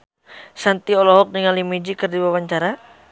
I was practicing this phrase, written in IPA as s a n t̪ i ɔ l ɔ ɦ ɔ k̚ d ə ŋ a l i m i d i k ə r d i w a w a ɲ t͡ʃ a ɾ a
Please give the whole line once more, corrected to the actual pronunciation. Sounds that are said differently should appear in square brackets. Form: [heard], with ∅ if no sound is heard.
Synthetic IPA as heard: s a n t̪ i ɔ l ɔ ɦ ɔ k̚ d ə ŋ a l i m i [d͡ʒ] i k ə r d i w a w a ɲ t͡ʃ a ɾ a